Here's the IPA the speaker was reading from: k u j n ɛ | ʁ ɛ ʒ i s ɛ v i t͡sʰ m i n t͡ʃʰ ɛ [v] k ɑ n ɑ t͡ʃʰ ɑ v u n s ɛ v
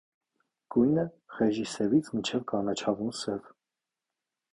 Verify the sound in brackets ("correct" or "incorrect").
correct